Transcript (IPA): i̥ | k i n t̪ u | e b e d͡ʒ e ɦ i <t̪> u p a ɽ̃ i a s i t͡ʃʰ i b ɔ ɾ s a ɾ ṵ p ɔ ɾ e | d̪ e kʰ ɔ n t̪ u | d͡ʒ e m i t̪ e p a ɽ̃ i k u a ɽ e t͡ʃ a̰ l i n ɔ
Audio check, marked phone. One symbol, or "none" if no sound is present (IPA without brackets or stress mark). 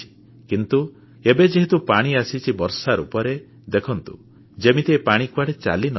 t̪